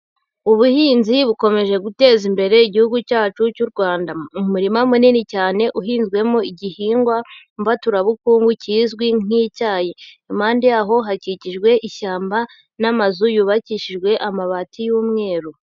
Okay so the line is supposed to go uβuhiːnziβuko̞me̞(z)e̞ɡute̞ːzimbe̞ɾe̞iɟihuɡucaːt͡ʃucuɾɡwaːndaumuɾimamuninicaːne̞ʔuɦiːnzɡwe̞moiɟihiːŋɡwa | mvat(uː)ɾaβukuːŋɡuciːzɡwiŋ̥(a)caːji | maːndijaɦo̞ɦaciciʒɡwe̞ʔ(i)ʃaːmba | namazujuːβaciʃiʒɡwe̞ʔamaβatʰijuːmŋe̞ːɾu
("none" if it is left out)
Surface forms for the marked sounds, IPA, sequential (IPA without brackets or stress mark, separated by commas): ʒ, u, i, i